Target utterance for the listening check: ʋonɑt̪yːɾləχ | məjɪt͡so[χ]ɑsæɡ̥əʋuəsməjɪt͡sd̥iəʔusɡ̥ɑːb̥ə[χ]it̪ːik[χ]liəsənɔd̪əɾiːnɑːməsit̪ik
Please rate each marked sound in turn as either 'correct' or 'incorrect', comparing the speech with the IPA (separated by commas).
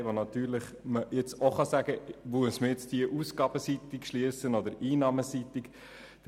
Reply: correct, incorrect, incorrect